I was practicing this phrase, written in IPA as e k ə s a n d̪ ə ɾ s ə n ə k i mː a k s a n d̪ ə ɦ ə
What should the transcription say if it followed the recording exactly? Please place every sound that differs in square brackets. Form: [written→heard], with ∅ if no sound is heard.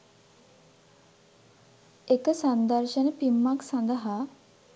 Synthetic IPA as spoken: e k ə s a n d̪ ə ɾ [s→ʃ] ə n ə [k→p] i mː a k s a n d̪ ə ɦ [ə→a]